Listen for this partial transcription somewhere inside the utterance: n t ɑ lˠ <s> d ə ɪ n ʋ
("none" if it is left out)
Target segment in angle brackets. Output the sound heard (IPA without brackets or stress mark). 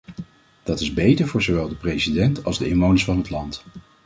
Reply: z